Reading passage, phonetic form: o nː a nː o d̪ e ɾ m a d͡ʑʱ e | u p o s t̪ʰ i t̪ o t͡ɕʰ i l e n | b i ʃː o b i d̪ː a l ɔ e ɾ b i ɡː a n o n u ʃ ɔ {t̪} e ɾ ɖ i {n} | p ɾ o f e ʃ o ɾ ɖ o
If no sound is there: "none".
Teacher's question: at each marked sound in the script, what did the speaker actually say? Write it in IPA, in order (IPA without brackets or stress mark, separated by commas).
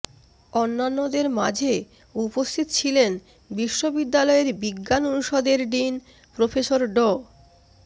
d̪, n